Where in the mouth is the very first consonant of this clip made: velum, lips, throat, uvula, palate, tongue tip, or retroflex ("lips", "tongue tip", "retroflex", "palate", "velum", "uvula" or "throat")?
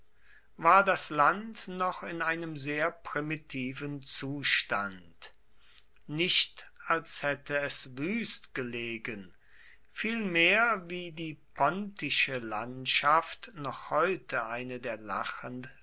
lips